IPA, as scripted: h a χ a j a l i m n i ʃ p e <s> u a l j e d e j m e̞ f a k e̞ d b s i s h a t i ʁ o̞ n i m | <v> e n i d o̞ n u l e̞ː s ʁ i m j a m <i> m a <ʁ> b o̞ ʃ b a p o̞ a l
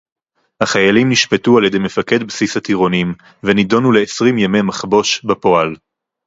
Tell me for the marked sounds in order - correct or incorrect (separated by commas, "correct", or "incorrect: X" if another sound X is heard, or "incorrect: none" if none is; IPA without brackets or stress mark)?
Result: incorrect: t, correct, incorrect: e, incorrect: χ